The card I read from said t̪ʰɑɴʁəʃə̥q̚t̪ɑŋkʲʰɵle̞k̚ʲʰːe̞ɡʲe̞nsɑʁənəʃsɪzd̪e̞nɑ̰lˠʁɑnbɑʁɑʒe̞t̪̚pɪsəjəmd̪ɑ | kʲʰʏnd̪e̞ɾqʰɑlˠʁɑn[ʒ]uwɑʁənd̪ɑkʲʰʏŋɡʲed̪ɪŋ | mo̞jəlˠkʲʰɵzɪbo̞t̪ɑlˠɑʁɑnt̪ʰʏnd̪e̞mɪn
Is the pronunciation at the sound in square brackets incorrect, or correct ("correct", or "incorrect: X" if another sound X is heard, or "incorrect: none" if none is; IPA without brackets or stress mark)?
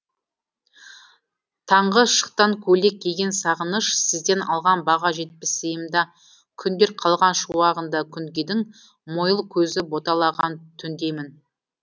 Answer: incorrect: ʃ